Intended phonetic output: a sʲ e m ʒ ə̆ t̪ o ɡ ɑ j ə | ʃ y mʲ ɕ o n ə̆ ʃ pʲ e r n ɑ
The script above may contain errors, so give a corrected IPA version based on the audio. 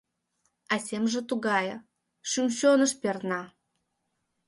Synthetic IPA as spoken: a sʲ e m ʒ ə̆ t̪ u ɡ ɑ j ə | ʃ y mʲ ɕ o n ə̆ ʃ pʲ e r n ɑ